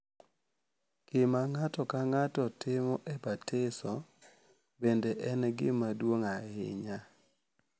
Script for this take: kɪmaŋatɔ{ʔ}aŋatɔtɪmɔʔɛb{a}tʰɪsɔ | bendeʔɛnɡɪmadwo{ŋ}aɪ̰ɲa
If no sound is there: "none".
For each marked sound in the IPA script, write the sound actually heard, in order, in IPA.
k, a, ŋ

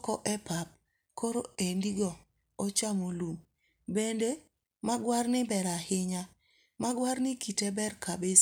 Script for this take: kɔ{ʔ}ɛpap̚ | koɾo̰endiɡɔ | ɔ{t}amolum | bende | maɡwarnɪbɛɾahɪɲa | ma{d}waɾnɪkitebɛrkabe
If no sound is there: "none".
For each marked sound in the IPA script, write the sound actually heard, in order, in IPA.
ʔ, t͡ʃ, ɡ

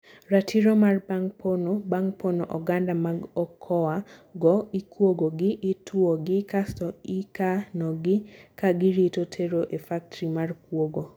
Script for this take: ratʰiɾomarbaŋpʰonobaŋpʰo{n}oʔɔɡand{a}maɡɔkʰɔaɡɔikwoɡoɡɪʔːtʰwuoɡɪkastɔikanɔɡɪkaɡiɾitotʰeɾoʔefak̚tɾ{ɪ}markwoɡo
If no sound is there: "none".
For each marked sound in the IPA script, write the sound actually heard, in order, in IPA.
n, a, i

